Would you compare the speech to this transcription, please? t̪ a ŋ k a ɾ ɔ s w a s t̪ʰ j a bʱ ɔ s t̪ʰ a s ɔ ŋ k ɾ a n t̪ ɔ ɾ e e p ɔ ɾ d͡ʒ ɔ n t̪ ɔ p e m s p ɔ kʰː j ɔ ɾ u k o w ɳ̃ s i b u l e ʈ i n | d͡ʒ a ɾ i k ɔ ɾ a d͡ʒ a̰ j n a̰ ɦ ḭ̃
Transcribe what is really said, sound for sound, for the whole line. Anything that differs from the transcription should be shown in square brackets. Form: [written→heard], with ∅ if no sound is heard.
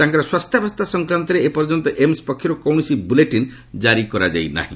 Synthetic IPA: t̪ a ŋ k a ɾ ɔ s w a s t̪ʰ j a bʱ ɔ s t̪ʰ a s ɔ ŋ k ɾ a n t̪ ɔ ɾ e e p ɔ ɾ d͡ʒ ɔ n t̪ ɔ [p→ʔ] e m s p ɔ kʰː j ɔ ɾ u k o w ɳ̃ s i b u l e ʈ i n | d͡ʒ a ɾ i k ɔ ɾ a d͡ʒ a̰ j n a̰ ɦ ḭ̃